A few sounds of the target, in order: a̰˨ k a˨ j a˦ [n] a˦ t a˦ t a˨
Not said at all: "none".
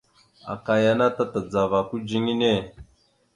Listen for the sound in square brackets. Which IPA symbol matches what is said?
n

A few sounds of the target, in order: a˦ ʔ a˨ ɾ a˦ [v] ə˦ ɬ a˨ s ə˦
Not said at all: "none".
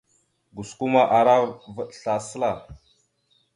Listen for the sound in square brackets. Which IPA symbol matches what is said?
v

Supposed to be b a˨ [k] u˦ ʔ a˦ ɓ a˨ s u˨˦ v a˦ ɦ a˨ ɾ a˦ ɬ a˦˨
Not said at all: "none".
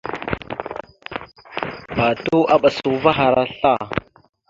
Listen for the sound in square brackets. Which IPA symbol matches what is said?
t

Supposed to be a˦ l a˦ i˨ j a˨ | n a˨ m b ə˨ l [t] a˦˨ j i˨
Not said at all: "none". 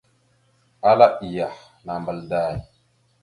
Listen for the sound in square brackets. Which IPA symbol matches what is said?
d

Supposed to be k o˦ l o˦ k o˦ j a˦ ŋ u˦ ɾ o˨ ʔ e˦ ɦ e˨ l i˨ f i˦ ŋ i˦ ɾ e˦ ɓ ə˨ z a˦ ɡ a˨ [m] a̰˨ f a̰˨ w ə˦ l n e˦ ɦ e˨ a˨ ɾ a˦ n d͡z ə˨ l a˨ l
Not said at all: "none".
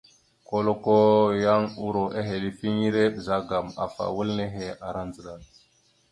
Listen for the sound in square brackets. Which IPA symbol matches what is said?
m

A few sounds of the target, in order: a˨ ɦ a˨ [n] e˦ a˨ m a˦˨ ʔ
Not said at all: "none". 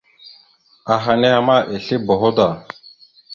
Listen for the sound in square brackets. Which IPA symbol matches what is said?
n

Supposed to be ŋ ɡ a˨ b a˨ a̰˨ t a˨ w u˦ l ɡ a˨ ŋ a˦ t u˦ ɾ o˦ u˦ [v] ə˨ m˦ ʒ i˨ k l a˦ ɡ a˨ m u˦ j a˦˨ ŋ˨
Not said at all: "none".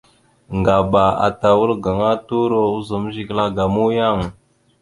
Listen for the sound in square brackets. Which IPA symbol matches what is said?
z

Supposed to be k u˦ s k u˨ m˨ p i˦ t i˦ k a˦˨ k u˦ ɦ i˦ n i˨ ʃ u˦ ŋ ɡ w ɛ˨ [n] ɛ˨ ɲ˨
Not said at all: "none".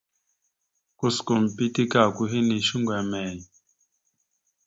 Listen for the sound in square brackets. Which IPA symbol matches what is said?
m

